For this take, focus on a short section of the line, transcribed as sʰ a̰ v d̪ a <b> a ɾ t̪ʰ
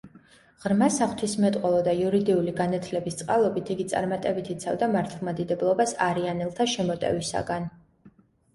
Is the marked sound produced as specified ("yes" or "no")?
no